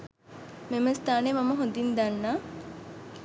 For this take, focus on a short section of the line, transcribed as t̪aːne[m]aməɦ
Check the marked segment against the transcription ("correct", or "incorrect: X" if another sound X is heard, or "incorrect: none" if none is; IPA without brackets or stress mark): correct